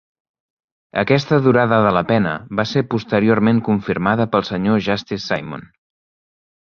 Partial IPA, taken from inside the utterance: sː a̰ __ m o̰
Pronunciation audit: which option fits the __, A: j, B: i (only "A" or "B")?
A